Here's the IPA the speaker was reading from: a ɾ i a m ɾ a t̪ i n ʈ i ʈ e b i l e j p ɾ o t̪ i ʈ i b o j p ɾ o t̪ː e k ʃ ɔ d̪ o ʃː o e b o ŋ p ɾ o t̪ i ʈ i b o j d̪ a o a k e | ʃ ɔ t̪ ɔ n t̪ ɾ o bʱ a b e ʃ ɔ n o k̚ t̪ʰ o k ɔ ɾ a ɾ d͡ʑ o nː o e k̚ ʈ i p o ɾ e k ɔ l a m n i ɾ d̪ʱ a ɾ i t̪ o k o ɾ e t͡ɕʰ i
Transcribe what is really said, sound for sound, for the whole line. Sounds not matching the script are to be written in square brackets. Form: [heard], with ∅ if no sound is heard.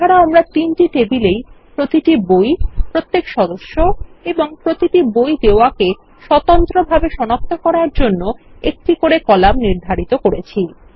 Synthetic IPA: a ɾ [a] a m ɾ a t̪ i n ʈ i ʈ e b i l e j p ɾ o t̪ i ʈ i b o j p ɾ o t̪ː e k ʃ ɔ d̪ o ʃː o e b o ŋ p ɾ o t̪ i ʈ i b o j d̪ [e] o a k e | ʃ ɔ t̪ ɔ n t̪ ɾ o bʱ a b e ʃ ɔ n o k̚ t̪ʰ o k ɔ ɾ a ɾ d͡ʑ o nː o e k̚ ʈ i [k] o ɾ e k ɔ l a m n i ɾ d̪ʱ a ɾ i t̪ o k o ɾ e t͡ɕʰ i